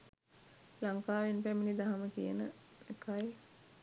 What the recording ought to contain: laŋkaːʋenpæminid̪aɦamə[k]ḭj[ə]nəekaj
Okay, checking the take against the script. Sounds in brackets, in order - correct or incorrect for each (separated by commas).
correct, correct